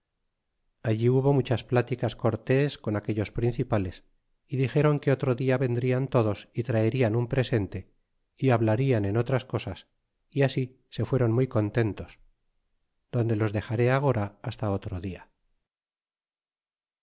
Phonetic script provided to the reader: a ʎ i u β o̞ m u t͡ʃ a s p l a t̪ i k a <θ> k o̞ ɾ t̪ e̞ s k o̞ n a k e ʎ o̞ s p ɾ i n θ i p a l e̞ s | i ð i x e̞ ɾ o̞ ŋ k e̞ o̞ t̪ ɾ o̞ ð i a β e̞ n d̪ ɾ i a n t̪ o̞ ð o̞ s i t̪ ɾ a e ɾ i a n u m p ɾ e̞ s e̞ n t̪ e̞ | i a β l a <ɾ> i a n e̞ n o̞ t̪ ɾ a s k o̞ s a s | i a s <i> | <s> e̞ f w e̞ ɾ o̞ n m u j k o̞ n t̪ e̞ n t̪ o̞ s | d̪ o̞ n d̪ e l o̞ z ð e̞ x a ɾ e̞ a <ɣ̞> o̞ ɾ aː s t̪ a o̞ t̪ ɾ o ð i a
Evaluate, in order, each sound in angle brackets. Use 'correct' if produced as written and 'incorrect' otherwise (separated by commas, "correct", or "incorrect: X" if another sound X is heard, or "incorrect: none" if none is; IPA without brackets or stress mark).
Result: incorrect: s, correct, correct, correct, correct